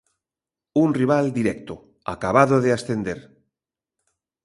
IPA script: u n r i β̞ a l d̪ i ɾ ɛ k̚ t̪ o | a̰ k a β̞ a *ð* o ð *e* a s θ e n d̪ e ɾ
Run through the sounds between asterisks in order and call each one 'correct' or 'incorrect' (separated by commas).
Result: correct, correct